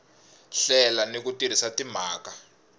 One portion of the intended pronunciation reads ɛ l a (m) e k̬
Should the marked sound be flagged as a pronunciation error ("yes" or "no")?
yes